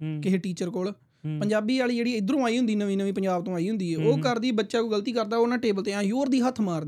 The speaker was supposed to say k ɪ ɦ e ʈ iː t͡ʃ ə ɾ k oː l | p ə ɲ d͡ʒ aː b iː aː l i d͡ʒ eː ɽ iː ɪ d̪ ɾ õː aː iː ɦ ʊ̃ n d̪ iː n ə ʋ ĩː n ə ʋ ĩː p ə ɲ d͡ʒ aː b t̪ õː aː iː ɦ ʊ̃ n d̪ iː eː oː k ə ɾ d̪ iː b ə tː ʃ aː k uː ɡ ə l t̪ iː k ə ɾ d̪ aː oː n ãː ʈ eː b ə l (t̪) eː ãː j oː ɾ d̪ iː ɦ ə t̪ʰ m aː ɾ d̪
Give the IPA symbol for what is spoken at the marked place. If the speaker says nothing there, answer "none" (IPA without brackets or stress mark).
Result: t̪